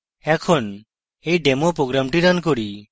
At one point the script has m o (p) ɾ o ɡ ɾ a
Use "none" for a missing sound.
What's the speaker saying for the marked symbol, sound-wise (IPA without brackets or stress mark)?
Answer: p